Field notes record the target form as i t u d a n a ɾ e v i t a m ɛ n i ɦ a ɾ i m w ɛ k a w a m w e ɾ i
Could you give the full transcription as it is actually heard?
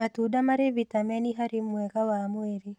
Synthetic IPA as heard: a t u d a m a ɾ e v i t a m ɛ n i ɦ a ɾ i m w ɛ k a w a m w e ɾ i